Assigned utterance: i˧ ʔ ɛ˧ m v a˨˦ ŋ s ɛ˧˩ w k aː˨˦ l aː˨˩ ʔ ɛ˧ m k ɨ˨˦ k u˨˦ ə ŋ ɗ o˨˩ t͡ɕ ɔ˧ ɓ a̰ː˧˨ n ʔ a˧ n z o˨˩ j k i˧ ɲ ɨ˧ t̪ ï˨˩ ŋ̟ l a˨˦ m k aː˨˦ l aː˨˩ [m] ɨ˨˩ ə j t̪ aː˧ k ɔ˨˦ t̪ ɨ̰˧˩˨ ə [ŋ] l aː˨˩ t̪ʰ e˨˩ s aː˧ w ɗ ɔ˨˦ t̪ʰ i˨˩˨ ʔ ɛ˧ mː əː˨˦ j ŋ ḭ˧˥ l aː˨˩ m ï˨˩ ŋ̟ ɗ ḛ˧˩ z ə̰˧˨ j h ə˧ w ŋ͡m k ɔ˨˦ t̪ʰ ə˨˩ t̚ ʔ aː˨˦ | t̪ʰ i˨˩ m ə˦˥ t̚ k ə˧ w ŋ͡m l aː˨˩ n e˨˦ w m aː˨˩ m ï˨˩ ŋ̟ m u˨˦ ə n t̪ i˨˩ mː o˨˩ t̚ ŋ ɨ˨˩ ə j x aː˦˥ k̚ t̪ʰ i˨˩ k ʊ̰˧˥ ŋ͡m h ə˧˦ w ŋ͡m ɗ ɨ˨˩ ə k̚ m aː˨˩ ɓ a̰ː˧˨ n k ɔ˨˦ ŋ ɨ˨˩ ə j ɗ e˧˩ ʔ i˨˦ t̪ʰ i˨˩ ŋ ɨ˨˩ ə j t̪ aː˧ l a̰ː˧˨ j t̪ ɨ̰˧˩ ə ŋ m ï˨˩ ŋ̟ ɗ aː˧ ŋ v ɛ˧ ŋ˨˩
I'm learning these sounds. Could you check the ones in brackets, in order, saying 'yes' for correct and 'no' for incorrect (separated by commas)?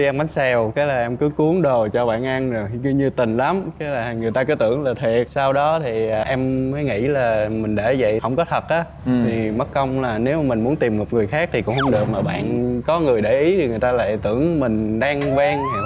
no, yes